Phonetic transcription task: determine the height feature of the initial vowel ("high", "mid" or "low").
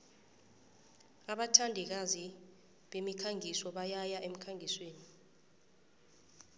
low